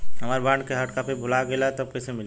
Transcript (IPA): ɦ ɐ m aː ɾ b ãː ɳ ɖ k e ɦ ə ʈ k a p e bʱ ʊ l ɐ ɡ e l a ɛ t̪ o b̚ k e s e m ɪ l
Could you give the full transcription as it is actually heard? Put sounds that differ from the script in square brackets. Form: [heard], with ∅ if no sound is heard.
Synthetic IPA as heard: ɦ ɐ m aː ɾ b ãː ɳ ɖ k e ɦ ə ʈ k a p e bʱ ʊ l [a] ɡ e l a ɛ t̪ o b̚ k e s e m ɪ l